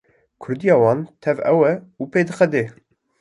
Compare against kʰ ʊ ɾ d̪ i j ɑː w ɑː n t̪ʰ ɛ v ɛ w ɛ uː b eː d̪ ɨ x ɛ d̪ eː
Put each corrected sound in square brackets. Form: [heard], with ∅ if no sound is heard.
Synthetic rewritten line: kʰ ʊ ɾ d̪ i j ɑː w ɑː n t̪ʰ ɛ v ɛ w ɛ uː [p] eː d̪ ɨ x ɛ d̪ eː